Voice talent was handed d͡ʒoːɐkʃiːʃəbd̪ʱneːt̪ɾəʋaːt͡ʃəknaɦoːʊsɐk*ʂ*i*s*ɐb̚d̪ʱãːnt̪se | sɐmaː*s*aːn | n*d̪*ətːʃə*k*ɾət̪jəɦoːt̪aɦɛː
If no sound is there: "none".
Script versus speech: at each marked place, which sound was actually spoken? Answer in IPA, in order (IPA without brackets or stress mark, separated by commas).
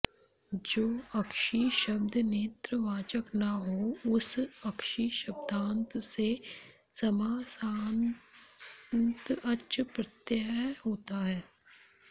ʃ, ʃ, s, t̪, p